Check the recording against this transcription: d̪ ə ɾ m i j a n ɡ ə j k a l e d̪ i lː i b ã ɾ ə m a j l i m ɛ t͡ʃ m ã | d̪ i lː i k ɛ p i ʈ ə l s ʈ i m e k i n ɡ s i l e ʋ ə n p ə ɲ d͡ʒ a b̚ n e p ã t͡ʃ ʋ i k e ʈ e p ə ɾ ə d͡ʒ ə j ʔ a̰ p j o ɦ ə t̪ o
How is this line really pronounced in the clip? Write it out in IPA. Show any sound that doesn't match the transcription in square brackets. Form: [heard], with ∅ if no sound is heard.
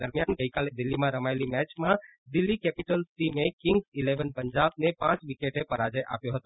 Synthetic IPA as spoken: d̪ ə ɾ m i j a n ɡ ə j k a l e d̪ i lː i [m] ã ɾ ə m a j l i m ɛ t͡ʃ m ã | d̪ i lː i k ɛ p i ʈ ə l s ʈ i m e k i [ŋ] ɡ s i l e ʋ ə n p ə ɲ d͡ʒ a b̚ n e p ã t͡ʃ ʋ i k e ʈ e p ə ɾ [a] d͡ʒ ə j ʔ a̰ p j o ɦ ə t̪ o